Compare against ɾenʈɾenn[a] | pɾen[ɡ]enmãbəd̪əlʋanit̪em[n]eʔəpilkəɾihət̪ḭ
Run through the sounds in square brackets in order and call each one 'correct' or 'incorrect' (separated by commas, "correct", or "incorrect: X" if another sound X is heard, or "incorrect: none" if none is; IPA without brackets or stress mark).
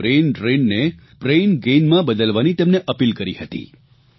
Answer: incorrect: e, correct, correct